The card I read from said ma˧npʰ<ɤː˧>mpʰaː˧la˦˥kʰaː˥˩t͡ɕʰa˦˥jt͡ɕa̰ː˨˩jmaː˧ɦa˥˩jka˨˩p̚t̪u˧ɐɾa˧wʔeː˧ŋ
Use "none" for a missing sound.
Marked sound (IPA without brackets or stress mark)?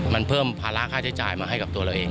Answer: ɤː˥˩